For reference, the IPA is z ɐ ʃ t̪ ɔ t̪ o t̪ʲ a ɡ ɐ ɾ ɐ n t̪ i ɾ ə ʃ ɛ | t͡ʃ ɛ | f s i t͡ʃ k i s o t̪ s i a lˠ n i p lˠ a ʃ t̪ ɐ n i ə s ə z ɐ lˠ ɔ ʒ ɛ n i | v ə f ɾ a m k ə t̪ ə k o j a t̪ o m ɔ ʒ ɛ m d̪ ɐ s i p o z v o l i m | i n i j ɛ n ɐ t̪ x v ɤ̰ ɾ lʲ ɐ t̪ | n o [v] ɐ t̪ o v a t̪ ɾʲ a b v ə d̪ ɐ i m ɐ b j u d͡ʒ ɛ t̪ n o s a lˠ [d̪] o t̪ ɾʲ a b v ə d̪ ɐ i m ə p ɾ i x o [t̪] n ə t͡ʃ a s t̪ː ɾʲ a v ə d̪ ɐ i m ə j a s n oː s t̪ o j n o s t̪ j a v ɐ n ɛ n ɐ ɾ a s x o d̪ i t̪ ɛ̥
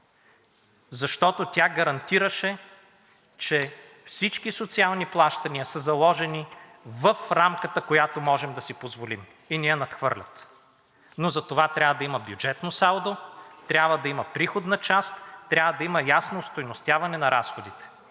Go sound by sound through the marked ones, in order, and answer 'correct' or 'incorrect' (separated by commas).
incorrect, correct, incorrect